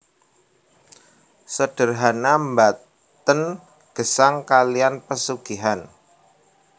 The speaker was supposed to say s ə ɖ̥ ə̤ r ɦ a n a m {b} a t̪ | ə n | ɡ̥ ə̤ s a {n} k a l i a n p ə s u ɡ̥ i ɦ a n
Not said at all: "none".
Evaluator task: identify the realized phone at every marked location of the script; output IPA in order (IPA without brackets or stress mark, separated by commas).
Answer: b, ŋ